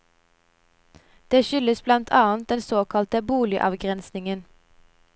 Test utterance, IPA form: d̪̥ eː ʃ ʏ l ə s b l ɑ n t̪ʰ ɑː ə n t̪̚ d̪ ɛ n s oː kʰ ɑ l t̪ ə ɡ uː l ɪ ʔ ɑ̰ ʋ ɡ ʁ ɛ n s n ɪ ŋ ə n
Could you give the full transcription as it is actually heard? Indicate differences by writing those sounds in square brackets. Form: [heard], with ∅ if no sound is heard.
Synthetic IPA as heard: d̪̥ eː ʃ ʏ l ə s b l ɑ n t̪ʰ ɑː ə n t̪̚ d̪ ɛ n s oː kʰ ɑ l t̪ ə [b] uː l ɪ ʔ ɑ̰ ʋ ɡ ʁ ɛ n s n ɪ ŋ ə n